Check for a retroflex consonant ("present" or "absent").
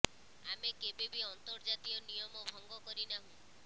absent